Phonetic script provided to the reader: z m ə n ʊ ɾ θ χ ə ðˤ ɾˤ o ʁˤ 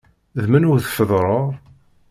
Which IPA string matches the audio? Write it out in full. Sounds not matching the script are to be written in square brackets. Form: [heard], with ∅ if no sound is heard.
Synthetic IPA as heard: [ð] m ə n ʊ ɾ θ [f] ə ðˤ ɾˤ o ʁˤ